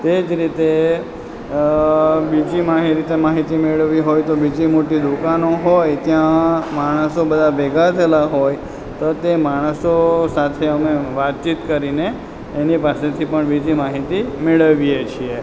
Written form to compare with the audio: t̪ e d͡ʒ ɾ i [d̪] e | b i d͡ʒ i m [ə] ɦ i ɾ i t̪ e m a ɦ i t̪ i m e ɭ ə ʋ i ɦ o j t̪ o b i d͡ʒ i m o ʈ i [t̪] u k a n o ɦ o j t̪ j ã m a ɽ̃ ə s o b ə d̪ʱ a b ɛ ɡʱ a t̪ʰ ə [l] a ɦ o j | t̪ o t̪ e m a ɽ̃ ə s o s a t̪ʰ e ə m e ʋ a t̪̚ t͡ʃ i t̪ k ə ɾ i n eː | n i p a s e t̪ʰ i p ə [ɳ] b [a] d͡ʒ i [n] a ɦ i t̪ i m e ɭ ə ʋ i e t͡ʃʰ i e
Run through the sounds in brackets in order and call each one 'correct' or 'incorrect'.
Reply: incorrect: t̪, incorrect: a, incorrect: d̪, correct, correct, incorrect: i, incorrect: m

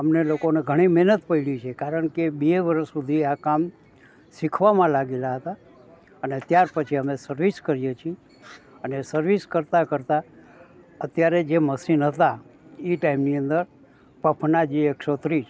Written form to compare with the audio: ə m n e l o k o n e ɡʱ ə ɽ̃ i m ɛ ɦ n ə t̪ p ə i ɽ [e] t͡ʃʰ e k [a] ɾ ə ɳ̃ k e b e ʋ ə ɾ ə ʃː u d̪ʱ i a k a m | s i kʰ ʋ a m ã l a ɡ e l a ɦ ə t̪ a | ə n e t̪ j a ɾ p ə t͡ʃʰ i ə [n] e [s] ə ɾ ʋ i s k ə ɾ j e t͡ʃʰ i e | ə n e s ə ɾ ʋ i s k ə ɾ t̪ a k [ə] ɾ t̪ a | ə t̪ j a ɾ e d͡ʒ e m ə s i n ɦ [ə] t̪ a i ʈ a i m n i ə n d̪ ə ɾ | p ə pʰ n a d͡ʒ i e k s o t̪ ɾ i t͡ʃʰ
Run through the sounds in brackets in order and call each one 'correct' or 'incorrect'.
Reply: incorrect: i, correct, incorrect: m, correct, correct, correct

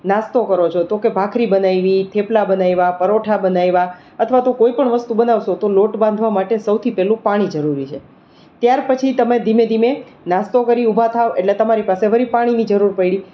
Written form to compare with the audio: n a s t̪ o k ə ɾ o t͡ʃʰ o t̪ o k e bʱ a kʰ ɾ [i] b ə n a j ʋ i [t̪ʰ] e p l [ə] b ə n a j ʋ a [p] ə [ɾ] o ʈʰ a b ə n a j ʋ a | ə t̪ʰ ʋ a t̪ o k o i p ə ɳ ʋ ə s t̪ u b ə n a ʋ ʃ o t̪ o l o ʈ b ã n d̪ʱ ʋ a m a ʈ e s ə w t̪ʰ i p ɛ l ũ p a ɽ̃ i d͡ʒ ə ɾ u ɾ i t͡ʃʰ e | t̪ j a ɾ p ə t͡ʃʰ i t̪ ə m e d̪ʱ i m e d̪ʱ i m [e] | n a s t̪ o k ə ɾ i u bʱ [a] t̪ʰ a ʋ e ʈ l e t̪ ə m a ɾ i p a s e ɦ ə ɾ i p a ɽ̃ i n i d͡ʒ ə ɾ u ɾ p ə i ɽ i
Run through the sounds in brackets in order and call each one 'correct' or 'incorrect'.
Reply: correct, correct, incorrect: a, correct, correct, correct, correct

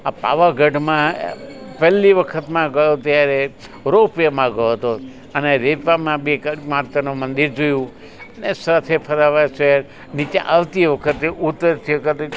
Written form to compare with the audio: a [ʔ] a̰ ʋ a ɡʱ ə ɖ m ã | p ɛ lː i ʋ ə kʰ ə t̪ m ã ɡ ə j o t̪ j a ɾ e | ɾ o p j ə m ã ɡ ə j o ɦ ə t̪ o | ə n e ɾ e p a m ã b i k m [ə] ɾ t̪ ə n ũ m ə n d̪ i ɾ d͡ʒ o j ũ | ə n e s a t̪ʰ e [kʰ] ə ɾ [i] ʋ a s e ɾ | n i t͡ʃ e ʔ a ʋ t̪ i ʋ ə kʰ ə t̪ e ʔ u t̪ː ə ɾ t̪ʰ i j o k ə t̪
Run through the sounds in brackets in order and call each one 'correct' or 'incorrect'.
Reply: incorrect: p, incorrect: a, incorrect: pʰ, incorrect: a

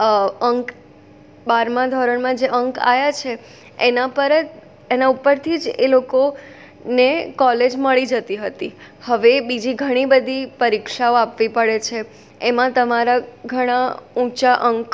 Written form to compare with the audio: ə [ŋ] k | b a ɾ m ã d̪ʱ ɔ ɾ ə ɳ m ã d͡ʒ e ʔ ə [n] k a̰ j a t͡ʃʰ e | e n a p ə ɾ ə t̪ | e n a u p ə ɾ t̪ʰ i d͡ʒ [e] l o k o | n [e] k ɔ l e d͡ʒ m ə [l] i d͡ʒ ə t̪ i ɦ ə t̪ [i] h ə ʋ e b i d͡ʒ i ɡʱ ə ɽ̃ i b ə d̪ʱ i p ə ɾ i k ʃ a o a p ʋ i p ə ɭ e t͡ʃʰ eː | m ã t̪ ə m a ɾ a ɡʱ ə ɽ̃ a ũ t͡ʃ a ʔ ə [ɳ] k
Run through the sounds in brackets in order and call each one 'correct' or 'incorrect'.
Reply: correct, incorrect: ŋ, correct, correct, incorrect: ɭ, correct, incorrect: ŋ

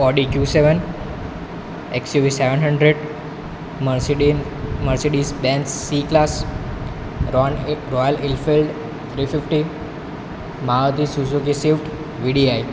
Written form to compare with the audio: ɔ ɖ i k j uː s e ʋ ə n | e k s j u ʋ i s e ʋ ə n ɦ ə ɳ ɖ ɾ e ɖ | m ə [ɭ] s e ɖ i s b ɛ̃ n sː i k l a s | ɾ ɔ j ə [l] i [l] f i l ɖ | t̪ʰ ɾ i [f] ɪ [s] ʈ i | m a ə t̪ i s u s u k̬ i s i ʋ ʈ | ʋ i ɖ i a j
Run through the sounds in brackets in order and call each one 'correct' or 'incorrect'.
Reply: incorrect: ɾ, correct, correct, correct, incorrect: f

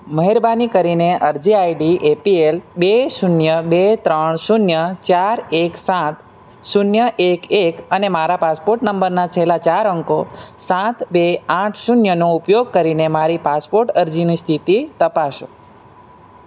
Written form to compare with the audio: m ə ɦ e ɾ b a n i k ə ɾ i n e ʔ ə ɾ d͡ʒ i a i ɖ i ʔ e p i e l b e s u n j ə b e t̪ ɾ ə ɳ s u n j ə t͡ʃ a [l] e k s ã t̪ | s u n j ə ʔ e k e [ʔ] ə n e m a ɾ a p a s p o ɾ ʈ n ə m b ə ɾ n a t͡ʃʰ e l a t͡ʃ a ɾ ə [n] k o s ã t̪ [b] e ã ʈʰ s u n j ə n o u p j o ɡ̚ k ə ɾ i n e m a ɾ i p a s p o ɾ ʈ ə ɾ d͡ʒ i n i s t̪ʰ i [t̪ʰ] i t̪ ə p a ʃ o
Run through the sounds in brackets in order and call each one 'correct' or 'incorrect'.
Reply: incorrect: ɾ, incorrect: k, incorrect: ŋ, correct, incorrect: t̪

